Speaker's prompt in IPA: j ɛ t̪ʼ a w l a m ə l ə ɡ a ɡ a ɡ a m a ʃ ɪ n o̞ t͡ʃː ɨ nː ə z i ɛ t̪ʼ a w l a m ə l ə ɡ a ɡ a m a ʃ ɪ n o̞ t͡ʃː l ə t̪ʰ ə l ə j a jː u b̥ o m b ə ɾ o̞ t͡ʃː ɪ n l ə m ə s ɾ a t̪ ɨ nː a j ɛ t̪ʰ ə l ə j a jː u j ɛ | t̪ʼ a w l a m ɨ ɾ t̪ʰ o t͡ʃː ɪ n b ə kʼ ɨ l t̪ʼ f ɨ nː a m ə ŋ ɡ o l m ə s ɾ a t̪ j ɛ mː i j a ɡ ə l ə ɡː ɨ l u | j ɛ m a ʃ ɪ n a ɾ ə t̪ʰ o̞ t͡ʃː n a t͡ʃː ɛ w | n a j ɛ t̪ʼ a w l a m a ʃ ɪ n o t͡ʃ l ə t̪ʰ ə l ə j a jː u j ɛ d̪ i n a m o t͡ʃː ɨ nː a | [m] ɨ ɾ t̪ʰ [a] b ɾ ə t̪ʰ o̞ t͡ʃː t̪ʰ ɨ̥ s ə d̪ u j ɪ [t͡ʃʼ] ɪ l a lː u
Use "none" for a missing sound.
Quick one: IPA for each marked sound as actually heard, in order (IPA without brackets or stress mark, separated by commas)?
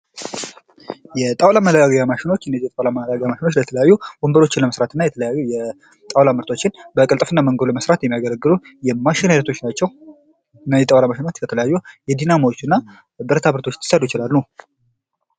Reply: b, a, t͡ʃ